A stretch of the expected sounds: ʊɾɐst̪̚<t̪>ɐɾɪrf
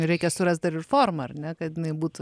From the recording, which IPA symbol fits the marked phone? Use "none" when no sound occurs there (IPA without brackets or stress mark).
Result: d̪